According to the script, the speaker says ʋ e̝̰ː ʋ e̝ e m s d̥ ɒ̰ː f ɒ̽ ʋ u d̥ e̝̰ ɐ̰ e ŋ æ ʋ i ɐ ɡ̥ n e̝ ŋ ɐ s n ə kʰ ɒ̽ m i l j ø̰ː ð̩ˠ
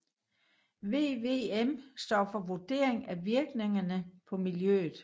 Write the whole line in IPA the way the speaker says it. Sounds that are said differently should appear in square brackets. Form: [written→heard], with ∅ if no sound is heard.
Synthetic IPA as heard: ʋ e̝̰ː ʋ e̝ e m s d̥ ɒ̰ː f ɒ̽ ʋ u d̥ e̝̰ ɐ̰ e ŋ æ ʋ i ɐ ɡ̥ n e̝ ŋ ɐ [s→∅] n ə [kʰ→pʰ] ɒ̽ m i l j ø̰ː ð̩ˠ